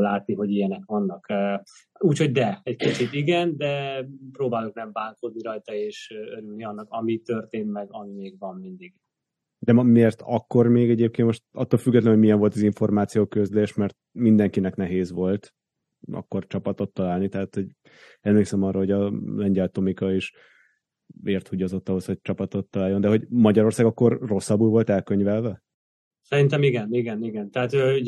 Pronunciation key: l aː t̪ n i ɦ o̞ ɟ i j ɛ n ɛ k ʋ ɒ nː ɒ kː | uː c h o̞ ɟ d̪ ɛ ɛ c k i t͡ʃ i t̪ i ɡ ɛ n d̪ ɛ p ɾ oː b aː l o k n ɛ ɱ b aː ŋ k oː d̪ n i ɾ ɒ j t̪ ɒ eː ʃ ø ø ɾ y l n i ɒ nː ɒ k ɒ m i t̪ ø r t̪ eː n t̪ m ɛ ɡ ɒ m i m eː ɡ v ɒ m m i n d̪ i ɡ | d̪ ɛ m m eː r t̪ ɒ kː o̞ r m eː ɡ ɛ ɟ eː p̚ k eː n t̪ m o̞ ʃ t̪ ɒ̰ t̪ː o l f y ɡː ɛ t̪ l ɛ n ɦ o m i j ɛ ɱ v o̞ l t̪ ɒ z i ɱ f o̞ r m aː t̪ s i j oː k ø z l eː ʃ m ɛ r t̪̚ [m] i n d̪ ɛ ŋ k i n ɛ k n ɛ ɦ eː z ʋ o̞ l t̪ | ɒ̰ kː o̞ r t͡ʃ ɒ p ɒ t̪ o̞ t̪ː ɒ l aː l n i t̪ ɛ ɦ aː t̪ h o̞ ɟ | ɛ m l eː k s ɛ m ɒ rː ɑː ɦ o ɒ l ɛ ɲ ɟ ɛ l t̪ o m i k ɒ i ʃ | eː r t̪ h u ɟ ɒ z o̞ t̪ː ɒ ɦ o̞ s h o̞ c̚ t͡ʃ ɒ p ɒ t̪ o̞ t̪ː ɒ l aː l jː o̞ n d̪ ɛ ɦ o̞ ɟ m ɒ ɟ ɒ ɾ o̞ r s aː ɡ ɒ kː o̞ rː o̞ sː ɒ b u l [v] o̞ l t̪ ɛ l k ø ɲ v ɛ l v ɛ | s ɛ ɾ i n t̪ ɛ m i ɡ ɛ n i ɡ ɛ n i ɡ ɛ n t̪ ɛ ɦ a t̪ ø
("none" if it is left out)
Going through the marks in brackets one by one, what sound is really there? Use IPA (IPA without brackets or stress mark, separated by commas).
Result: m, v